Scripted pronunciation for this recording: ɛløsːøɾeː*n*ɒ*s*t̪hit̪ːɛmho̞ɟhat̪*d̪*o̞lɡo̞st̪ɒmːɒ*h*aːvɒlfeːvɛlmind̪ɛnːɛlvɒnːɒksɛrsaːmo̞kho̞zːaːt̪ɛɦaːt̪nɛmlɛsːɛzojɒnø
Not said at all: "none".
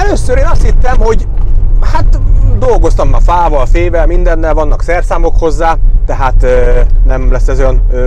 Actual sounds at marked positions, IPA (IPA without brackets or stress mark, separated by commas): n, s, d̪, f